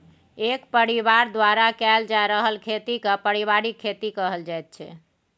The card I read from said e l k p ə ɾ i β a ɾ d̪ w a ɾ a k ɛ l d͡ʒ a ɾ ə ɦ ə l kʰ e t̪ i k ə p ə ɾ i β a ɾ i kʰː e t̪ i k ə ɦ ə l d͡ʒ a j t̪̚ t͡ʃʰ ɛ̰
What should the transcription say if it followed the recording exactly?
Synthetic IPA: e k p ə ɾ i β a ɾ d̪ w a ɾ a k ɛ l d͡ʒ a ɾ ə ɦ ə l kʰ e t̪ i k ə p ə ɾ i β a ɾ i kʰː e t̪ i k ə ɦ ə l d͡ʒ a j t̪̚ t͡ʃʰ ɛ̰